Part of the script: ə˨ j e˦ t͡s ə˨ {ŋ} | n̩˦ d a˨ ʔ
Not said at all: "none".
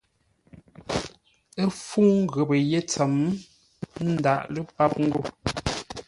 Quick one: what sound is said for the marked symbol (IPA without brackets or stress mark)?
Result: m